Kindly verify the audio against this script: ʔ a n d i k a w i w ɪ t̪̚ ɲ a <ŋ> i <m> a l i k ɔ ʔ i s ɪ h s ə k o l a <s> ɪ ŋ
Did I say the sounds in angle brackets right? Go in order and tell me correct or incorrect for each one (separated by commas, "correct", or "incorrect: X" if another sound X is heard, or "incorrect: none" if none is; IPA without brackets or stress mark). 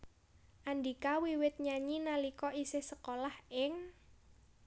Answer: incorrect: ɲ, incorrect: n, incorrect: h